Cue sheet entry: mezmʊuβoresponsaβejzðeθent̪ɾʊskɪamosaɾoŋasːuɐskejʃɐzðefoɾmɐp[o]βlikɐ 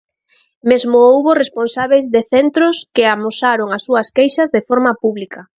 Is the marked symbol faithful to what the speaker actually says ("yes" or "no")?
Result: no